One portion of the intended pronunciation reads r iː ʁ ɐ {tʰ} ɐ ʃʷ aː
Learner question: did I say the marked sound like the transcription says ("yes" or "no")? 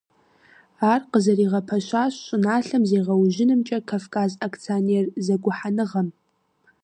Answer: no